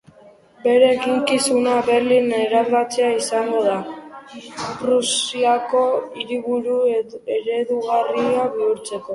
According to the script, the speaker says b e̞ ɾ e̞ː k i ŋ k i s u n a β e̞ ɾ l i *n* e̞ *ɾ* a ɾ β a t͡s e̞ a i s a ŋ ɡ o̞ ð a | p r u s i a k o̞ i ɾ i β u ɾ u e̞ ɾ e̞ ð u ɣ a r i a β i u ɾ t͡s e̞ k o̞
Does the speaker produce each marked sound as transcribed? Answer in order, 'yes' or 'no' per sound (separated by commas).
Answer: yes, yes